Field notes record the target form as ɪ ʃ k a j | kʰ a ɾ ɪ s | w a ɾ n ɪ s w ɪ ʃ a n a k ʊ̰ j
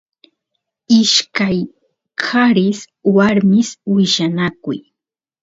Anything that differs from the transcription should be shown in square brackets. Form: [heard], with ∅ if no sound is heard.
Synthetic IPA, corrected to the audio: ɪ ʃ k a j | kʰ a ɾ ɪ s | w a ɾ [m] ɪ s w ɪ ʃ a n a k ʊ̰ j